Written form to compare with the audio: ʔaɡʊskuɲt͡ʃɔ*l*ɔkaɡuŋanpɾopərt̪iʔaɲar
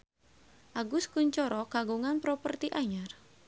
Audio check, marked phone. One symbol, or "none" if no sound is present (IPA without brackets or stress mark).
ɾ